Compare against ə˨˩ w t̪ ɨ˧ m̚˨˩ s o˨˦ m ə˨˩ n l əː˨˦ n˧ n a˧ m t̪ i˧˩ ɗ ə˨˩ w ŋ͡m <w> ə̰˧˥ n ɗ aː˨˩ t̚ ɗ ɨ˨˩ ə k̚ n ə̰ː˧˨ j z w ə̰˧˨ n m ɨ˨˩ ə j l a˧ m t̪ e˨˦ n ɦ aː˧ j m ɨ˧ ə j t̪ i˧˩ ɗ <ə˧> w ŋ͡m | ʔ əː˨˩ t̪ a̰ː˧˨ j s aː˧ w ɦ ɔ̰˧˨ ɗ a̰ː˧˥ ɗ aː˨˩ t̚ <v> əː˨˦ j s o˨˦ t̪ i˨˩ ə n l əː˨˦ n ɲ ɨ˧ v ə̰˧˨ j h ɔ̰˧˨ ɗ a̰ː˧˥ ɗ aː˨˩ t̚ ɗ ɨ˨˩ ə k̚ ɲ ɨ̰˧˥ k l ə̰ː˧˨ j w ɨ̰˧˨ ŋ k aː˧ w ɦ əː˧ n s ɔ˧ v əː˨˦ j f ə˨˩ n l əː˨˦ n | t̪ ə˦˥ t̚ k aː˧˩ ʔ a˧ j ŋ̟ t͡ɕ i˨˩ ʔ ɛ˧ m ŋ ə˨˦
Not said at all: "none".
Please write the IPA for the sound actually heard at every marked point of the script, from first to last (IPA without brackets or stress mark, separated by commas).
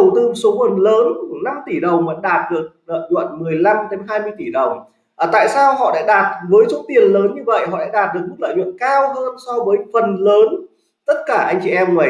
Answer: v, ə˨˩, v